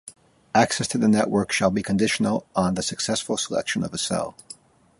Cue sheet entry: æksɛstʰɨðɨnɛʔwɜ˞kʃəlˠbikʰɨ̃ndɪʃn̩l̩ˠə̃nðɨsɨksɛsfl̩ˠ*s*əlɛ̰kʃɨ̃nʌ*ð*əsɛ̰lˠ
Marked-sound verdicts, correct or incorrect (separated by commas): correct, incorrect